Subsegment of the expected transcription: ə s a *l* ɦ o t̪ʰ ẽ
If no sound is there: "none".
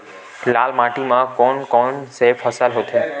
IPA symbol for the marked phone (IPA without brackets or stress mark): l